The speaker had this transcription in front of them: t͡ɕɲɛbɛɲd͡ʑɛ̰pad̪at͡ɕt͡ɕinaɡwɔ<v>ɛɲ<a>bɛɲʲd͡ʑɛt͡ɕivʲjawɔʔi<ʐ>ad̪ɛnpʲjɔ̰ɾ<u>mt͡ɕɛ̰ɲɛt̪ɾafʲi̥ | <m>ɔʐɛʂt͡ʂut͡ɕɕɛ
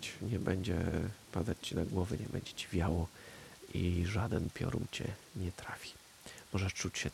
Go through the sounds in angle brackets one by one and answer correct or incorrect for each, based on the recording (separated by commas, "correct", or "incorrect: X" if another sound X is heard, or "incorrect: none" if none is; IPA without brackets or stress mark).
correct, incorrect: ɛ, correct, correct, correct